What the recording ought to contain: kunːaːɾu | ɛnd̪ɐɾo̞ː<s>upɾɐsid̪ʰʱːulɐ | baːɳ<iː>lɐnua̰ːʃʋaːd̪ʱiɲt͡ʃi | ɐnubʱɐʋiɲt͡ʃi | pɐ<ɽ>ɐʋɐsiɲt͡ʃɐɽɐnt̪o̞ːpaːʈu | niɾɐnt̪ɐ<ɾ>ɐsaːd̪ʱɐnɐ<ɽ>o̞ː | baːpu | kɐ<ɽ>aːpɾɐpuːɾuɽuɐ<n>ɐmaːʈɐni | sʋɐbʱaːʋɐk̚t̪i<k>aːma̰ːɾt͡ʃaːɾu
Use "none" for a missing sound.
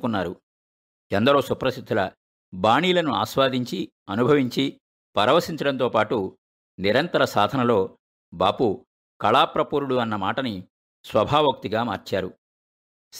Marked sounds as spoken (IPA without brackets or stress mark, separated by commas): s, iː, ɾ, ɾ, l, ɭ, nː, ɡ